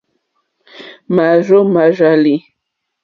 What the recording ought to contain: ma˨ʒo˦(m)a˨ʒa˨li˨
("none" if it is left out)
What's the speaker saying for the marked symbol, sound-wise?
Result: m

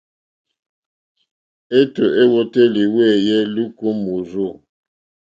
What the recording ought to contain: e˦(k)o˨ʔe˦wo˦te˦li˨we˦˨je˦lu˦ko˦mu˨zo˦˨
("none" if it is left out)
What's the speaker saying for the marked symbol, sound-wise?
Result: t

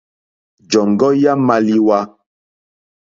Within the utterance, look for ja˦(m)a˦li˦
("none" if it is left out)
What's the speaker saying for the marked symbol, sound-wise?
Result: m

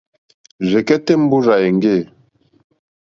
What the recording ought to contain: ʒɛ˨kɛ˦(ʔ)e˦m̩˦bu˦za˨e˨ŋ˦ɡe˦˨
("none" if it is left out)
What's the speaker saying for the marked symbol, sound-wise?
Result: t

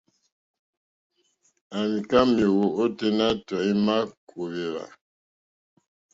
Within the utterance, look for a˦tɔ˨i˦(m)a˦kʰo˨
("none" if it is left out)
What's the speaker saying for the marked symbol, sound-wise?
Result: m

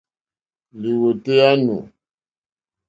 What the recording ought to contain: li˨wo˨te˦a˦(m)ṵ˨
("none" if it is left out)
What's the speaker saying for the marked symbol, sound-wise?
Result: n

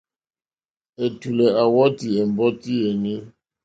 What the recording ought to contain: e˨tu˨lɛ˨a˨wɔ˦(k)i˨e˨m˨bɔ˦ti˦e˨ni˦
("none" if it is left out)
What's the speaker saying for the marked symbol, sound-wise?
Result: t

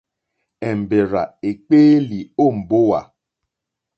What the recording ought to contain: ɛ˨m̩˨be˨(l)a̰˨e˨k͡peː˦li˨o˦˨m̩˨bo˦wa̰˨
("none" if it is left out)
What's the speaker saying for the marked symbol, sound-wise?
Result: ɾ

